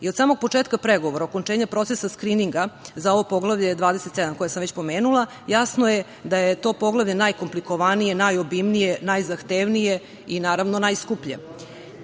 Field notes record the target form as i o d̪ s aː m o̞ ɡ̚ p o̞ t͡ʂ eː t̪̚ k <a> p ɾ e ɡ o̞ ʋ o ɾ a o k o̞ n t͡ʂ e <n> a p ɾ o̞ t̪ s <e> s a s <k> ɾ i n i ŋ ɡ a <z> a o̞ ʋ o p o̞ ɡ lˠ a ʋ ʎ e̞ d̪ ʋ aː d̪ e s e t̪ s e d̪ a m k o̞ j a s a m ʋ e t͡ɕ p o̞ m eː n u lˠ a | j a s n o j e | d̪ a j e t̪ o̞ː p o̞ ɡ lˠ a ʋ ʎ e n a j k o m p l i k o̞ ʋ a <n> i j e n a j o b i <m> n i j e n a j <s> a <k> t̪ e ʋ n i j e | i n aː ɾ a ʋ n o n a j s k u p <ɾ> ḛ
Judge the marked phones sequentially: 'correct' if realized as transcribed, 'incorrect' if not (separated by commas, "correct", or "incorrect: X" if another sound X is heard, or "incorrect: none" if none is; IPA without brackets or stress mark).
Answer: correct, incorrect: ɲ, correct, correct, correct, correct, correct, incorrect: z, incorrect: x, incorrect: ʎ